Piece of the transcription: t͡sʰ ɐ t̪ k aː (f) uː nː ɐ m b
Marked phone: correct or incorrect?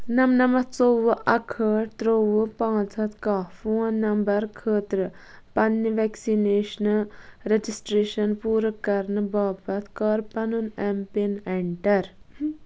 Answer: correct